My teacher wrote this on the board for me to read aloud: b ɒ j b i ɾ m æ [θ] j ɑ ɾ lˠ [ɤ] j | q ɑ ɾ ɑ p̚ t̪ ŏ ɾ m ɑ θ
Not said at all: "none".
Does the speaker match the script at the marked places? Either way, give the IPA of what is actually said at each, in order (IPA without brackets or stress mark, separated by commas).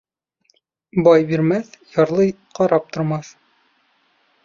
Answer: θ, ɤ